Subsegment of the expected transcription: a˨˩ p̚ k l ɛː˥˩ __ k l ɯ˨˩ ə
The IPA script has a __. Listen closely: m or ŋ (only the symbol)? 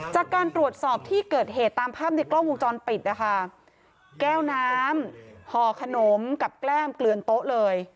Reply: m